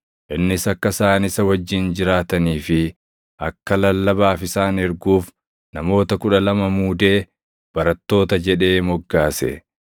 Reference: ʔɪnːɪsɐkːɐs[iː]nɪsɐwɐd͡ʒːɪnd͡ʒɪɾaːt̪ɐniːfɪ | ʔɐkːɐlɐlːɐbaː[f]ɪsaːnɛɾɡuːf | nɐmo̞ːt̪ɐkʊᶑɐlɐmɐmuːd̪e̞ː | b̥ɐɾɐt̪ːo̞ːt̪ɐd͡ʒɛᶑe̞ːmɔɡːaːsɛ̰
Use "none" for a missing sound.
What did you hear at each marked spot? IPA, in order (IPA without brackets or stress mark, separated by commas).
aː, f